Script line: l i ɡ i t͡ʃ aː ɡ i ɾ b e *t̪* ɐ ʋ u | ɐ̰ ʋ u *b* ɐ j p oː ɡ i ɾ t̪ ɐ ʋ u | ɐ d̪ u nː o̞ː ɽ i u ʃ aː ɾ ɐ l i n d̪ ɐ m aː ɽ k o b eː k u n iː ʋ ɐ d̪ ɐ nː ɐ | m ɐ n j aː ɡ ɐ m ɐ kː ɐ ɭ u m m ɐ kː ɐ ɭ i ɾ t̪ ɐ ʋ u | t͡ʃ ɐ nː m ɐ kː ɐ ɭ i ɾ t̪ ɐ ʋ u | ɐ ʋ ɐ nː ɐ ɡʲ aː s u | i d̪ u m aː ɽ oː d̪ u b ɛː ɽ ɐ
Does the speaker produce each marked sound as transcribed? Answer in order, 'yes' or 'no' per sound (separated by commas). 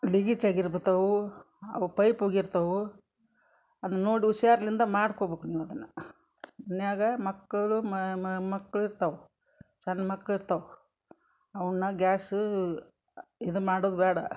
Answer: yes, no